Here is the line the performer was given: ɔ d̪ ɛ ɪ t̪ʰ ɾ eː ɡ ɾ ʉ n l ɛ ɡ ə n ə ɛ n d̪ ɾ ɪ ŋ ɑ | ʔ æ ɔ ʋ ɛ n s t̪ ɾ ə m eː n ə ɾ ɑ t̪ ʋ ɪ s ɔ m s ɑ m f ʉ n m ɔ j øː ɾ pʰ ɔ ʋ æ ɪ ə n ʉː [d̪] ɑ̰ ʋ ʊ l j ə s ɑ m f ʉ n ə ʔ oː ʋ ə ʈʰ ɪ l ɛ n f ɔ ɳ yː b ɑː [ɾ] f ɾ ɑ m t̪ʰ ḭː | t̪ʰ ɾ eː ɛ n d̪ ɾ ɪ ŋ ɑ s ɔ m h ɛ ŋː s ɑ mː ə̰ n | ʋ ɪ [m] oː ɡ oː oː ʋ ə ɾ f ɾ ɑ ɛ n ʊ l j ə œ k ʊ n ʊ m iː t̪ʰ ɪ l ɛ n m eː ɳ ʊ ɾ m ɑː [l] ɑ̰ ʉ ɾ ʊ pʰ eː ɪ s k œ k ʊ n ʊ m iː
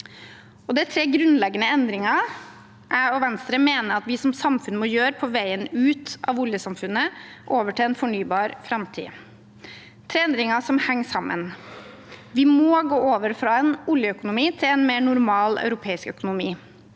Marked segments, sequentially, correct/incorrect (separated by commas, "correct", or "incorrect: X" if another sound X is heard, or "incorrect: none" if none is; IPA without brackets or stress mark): incorrect: t̪, correct, correct, correct